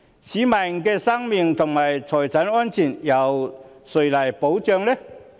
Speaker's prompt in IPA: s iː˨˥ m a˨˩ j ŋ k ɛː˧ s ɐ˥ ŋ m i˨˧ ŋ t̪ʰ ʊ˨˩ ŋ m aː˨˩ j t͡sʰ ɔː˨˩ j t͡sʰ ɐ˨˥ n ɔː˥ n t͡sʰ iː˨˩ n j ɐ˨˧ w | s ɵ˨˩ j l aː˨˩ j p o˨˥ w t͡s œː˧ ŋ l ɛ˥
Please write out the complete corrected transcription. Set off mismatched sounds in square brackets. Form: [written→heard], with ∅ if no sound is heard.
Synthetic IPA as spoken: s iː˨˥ m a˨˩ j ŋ k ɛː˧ s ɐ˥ ŋ m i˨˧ ŋ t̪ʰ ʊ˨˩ ŋ m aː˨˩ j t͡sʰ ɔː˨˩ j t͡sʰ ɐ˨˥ n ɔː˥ n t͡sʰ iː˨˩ n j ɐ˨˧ w | s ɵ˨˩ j l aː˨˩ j p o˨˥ w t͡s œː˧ ŋ l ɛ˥